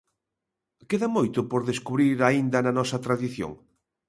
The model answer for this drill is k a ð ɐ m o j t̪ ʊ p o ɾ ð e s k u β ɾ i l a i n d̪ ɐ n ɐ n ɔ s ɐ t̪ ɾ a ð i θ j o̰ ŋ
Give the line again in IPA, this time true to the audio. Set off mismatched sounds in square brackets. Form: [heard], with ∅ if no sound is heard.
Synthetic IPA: k [e] ð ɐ m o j t̪ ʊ p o ɾ ð e s k u β ɾ i [ɾ] a i n d̪ ɐ n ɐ n ɔ s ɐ t̪ ɾ a ð i θ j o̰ ŋ